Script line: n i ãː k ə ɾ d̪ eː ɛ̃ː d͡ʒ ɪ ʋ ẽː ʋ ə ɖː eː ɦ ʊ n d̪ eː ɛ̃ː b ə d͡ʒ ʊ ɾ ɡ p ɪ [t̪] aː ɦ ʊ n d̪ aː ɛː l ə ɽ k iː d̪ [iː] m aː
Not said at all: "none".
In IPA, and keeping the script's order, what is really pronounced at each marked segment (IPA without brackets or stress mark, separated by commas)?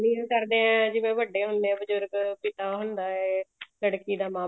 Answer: t̪, aː